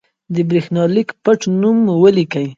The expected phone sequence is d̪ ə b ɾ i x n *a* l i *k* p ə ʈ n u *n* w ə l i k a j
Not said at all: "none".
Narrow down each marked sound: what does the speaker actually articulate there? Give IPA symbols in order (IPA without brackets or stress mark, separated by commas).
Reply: ɑ, k, m